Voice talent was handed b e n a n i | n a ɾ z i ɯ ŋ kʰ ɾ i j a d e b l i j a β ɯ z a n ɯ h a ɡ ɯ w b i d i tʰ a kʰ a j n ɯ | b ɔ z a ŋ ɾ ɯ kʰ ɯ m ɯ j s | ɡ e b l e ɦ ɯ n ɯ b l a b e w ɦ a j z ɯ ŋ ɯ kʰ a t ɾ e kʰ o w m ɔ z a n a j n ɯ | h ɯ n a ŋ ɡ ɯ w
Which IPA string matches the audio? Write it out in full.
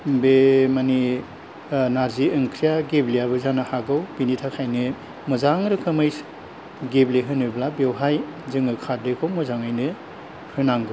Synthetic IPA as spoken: b e m a n i | n a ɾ z i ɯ ŋ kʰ ɾ i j a ɡ e b l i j a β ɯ z a n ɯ h a ɡ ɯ w b i n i tʰ a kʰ a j n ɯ | m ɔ z a ŋ ɾ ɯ kʰ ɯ m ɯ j s | ɡ e b l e ɦ ɯ n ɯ b l a b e w ɦ a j z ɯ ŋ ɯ kʰ a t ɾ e kʰ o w m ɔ z a ŋ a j n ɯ | h ɯ n a ŋ ɡ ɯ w